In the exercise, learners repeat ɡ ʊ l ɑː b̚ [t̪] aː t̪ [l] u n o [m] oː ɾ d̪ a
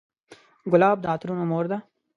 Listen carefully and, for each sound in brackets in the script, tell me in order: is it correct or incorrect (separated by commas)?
incorrect, incorrect, correct